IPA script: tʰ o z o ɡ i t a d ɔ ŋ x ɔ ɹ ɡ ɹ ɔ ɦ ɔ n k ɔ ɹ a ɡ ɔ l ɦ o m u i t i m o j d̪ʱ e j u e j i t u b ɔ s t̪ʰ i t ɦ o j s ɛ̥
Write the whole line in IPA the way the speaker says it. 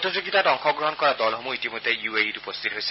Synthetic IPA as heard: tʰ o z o ɡ i t a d ɔ ŋ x ɔ ɡ ɹ ɔ ɦ ɔ n k ɔ ɹ a d ɔ l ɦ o m u i t i m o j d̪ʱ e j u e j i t u p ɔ s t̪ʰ i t ɦ o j s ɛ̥

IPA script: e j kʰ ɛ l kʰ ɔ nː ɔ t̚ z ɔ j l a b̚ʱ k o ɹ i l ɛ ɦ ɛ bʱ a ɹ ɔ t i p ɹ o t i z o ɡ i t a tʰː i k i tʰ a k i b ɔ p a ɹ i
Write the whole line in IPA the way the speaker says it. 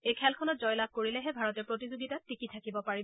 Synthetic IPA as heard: e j kʰ ɛ l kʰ ɔ n ɔ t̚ z ɔ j l a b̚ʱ k o ɹ i l ɛ ɦ ɛ bʱ a ɹ ɔ t ɛ p ɹ o t i z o ɡ i t a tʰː i k i tʰ a k i b ɔ p a ɹ i

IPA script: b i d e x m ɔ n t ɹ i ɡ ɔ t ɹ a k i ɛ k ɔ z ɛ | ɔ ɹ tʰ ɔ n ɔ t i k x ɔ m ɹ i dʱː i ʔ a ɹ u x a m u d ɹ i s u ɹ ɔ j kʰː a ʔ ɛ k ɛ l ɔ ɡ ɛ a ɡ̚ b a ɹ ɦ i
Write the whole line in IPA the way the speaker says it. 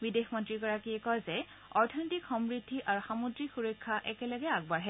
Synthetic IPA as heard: b i d e x m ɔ n t ɹ i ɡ ɔ ɹ a k i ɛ k ɔ z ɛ | ɔ ɹ tʰ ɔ n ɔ t i k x ɔ m ɹ i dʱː i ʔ a ɹ u x a m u d ɹ i x u ɹ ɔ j kʰː a ʔ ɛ k ɛ l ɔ ɡ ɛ a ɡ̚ b a ɹ ɦ ɛ

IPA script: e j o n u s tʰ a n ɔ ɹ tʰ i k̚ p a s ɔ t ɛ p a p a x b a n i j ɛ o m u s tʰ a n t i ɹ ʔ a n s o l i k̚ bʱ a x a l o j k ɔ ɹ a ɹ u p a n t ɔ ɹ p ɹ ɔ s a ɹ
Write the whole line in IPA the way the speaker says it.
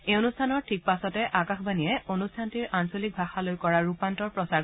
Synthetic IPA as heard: e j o n u s tʰ a n ɔ ɹ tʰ i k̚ p a s ɔ t ɛ ʔ a k a x b a n i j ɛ o n u s tʰ a n t i ɹ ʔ a n s o l i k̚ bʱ a x a l o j k ɔ ɹ a ɹ u p a n t ɔ ɹ p ɹ ɔ s a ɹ

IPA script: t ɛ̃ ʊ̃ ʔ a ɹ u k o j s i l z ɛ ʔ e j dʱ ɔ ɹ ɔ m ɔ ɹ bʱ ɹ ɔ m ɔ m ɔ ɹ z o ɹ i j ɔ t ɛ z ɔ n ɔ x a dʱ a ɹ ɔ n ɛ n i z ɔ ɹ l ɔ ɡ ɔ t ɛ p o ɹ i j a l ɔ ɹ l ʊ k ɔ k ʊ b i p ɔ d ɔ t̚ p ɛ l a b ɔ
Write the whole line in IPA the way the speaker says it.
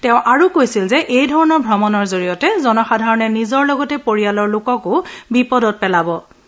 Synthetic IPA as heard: t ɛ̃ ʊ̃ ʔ a ɹ u k o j s i l z ɛ ʔ e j dʱ ɔ ɹ ɔ n ɔ ɹ bʱ ɹ ɔ m ɔ n ɔ ɹ z o ɹ i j ɔ t ɛ z ɔ n ɔ x a dʱ a ɹ ɔ n ɛ n i z ɔ ɹ l ɔ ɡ ɔ t ɛ p o ɹ i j a l ɔ ɹ l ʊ k ɔ k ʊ b i p ɔ d ɔ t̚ p ɛ l a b ɔ

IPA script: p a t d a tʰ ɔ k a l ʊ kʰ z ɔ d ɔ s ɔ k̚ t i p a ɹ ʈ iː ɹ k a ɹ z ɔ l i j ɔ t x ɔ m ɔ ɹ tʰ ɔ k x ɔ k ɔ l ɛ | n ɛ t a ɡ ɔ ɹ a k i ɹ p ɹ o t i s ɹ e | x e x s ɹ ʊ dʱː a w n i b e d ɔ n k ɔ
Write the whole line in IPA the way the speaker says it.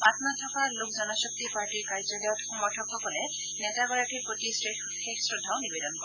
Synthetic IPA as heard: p a t n a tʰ ɔ k a l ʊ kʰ z ɔ n ɔ s ɔ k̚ t i p a ɹ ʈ i ɹ k a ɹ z ɔ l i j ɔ t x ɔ m ɔ ɹ tʰ ɔ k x ɔ k ɔ l ɛ | n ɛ t a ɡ ɔ ɹ a k i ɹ p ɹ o t i s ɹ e | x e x s ɹ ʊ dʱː a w n i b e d ɔ n k ɔ

